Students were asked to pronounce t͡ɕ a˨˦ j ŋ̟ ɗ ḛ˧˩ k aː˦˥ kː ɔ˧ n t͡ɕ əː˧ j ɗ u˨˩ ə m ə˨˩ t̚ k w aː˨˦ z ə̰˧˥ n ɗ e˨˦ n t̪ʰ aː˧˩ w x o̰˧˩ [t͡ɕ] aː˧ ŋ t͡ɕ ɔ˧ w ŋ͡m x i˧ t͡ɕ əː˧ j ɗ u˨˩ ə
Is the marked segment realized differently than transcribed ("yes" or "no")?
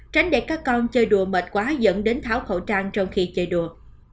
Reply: no